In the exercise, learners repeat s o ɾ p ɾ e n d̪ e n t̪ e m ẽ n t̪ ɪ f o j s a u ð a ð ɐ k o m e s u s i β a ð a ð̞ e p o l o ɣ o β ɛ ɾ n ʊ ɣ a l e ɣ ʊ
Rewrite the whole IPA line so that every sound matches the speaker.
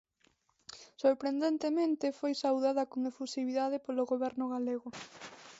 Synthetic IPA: s o ɾ p ɾ e n d̪ e n t̪ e m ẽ n t̪ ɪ f o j s a w ð a ð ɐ k o ŋ e f u s i β i ð a ð̞ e p o l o ɣ o β ɛ ɾ n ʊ ɣ a l e ɣ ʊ